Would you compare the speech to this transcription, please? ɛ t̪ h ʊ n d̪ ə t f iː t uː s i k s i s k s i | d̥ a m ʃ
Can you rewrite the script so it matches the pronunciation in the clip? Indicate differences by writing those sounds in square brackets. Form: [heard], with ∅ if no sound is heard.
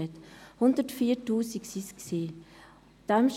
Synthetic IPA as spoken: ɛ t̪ h ʊ n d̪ ə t f iː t uː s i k s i s k s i | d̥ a m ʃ